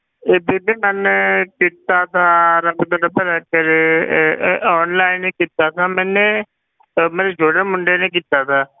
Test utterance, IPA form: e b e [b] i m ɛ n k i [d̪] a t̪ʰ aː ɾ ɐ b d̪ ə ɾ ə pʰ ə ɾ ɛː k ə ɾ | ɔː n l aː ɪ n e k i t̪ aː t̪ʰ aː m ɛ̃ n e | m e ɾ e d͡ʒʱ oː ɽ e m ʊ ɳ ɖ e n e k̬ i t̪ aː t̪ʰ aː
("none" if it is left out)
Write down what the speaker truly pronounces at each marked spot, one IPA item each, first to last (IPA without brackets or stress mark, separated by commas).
b, t̪